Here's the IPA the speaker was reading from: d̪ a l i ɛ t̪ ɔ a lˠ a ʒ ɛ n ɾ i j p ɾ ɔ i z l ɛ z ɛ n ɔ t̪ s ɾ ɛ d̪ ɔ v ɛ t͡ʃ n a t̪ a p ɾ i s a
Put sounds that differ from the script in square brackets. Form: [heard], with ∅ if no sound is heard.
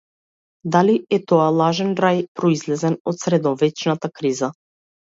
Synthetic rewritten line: d̪ a l i ɛ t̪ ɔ a lˠ a ʒ ɛ n ɾ [a] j p ɾ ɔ i z l ɛ z ɛ n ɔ t̪ s ɾ ɛ d̪ ɔ v ɛ t͡ʃ n a t̪ a [k] ɾ i [z] a